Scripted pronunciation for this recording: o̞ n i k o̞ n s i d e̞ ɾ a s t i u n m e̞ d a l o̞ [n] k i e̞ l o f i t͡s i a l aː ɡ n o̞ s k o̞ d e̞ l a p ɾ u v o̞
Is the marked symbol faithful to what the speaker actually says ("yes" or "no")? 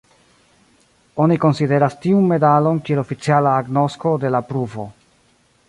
yes